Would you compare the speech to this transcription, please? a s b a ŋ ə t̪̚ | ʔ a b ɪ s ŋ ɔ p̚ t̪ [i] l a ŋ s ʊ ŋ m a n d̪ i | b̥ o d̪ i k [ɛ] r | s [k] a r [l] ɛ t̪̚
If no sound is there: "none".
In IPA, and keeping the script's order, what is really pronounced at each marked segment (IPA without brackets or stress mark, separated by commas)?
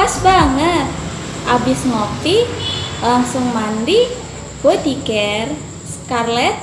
i, ɛ, k, l